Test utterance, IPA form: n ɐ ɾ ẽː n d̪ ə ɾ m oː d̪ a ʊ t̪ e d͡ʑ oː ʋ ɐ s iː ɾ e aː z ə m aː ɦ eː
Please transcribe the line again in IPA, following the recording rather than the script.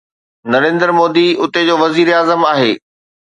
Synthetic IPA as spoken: n ɐ ɾ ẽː n d̪ ə ɾ m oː d̪ i ʊ t̪ e d͡ʑ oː ʋ ɐ z iː ɾ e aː z ə m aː ɦ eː